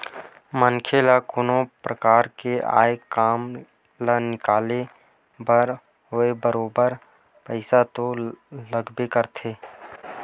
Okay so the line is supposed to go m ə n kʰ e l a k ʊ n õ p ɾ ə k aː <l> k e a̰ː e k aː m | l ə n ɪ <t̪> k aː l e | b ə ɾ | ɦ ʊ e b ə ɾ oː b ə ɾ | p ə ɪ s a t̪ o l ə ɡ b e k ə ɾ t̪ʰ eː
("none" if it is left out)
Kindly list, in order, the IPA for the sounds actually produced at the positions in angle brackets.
ɾ, none

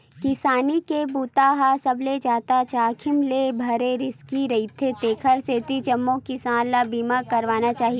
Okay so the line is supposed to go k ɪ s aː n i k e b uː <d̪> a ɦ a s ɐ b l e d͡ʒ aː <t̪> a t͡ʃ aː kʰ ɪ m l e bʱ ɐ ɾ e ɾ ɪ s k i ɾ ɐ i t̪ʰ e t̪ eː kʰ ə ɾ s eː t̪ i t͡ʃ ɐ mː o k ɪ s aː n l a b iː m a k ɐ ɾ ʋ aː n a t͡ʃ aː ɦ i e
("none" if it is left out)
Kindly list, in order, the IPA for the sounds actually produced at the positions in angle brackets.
t̪, t̪

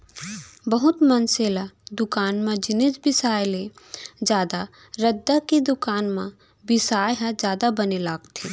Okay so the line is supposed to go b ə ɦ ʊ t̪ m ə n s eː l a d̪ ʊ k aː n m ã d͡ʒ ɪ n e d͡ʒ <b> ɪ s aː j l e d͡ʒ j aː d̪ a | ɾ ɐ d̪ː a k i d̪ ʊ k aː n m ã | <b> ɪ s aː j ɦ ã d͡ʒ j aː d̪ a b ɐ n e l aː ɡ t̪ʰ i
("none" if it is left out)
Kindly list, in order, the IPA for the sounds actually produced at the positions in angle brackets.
b, b

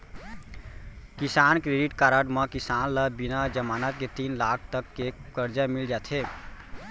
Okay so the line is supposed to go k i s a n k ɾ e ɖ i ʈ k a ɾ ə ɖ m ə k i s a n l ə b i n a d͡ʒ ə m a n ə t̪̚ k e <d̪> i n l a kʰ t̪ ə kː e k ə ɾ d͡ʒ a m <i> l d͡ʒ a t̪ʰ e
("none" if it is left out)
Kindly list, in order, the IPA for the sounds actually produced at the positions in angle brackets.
t̪, i

